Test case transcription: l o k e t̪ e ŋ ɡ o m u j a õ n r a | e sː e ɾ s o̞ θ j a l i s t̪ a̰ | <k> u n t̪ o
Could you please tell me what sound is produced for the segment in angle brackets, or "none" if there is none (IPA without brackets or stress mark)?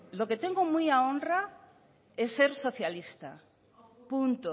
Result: p